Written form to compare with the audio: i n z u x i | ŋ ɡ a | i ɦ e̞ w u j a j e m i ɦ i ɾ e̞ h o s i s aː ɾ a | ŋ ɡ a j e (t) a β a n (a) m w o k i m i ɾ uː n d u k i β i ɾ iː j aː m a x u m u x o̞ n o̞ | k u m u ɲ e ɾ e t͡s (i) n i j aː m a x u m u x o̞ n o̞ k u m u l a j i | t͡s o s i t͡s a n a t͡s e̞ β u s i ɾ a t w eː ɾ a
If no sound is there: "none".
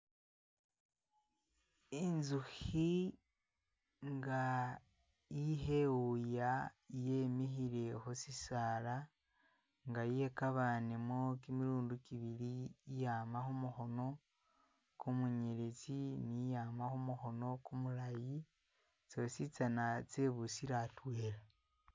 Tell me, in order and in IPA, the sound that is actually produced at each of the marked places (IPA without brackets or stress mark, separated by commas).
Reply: k, e, i